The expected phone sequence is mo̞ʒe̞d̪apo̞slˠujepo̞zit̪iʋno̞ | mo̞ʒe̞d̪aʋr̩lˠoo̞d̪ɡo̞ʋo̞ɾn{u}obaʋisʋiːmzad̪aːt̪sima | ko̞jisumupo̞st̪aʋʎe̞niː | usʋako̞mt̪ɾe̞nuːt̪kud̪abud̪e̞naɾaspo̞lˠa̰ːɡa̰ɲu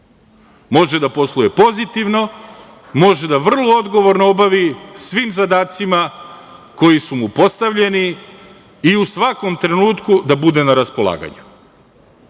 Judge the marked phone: incorrect: o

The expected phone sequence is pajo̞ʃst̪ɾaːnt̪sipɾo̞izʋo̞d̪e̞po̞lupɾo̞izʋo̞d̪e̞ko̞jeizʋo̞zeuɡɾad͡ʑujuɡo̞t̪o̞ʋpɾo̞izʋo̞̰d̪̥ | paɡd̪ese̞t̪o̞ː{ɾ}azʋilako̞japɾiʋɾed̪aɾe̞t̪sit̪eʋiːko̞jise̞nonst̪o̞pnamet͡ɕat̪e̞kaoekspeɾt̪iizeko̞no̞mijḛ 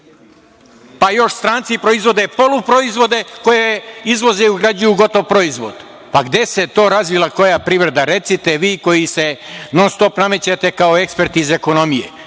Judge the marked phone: correct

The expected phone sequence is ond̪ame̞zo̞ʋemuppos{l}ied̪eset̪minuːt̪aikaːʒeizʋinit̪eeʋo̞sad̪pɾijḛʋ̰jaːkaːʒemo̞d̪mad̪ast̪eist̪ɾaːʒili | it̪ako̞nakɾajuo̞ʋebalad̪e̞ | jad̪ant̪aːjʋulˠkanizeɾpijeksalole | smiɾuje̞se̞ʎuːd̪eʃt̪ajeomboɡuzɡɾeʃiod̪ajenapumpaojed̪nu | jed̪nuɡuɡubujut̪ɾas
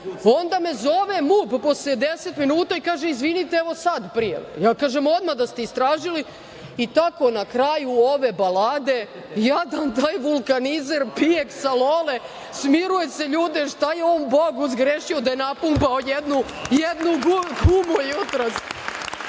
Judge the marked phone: correct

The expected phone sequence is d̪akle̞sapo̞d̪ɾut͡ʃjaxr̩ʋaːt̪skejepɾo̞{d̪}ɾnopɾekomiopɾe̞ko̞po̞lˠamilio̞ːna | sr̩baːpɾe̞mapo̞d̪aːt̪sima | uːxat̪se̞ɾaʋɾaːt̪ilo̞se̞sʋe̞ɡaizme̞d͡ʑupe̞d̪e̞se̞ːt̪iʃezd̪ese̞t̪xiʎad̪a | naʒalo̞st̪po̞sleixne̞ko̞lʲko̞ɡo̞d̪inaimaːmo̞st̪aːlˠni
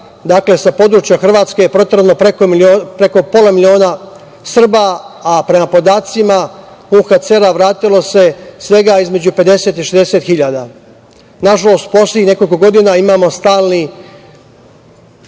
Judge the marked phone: incorrect: t̪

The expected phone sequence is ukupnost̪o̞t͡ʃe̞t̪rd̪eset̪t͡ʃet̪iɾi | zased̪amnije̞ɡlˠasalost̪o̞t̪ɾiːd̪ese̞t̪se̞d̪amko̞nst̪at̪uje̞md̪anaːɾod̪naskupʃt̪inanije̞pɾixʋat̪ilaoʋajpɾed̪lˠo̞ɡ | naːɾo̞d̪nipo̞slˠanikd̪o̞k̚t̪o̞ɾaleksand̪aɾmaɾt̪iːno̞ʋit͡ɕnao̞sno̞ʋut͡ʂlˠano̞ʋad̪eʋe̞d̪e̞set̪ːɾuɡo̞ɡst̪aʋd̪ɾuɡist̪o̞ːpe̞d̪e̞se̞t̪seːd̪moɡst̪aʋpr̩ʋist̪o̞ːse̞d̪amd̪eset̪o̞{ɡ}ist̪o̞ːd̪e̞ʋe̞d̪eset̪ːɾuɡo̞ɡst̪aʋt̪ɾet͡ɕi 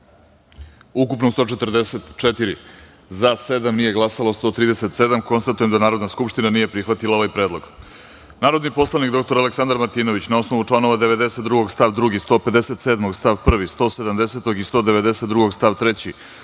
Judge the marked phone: correct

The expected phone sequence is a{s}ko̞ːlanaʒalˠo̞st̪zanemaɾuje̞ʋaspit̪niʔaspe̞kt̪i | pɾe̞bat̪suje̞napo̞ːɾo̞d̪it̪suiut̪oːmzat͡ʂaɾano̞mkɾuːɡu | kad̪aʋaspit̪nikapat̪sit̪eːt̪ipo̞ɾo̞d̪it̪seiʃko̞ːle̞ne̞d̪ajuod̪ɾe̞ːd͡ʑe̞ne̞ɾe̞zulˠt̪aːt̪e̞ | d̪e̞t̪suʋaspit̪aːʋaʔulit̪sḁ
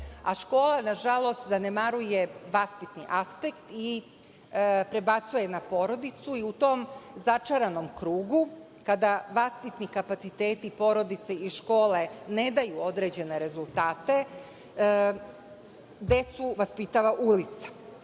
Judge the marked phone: incorrect: ʃ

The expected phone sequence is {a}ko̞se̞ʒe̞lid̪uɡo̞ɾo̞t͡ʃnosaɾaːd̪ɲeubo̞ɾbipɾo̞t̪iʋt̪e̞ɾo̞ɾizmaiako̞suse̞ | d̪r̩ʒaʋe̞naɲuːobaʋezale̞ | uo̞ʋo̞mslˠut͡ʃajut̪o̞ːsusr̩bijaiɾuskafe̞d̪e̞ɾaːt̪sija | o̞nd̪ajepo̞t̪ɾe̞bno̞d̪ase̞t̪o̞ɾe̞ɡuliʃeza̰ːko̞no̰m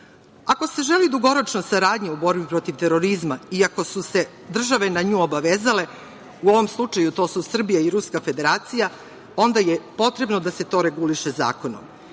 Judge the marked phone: correct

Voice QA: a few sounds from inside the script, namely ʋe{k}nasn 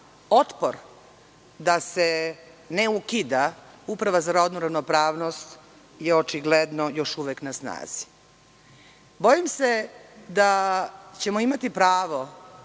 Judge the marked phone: correct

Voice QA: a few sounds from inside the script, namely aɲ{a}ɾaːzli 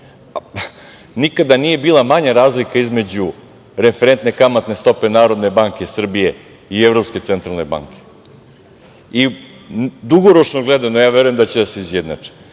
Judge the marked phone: correct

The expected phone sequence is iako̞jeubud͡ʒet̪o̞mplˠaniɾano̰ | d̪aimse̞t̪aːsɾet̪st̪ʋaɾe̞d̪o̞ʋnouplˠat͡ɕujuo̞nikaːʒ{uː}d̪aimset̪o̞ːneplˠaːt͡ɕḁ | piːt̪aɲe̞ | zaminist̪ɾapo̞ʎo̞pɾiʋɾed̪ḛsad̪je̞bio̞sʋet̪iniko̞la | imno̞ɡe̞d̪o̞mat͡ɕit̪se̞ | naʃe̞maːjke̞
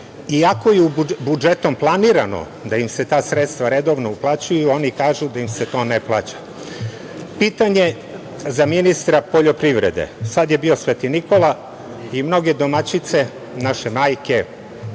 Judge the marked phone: incorrect: u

